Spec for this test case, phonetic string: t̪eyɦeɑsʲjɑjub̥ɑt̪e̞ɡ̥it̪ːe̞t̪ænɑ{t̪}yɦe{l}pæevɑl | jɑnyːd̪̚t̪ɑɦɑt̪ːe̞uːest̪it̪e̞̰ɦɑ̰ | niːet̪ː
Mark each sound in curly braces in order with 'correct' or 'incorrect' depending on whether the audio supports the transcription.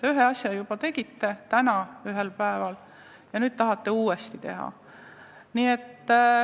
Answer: incorrect: none, correct

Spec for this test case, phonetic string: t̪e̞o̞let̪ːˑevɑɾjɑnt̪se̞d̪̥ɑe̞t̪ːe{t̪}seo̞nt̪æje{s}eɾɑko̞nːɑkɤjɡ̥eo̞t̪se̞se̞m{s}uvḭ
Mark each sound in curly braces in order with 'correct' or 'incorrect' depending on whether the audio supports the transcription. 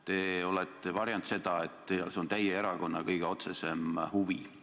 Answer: incorrect: none, incorrect: none, incorrect: h

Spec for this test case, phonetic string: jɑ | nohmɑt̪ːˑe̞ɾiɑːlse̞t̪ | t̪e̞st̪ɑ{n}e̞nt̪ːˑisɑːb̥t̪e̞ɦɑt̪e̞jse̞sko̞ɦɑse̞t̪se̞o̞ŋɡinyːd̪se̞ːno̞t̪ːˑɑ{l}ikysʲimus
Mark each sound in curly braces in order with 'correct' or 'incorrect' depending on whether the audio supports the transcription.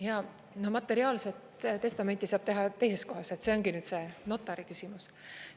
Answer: incorrect: m, incorrect: ɾ

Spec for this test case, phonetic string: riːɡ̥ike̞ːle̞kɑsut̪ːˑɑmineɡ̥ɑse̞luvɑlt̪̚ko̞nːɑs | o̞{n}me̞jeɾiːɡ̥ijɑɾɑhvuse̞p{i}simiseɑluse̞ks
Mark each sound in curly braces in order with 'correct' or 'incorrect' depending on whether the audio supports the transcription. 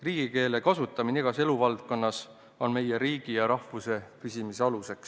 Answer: correct, incorrect: y

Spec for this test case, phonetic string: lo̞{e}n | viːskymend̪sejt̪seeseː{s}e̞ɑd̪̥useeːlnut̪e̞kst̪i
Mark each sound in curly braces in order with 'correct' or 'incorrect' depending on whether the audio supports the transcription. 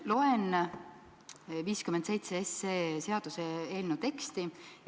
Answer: correct, correct

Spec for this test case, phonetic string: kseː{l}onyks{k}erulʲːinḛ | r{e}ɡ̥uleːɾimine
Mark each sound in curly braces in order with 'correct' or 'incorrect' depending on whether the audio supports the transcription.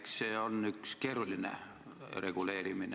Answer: incorrect: none, correct, correct

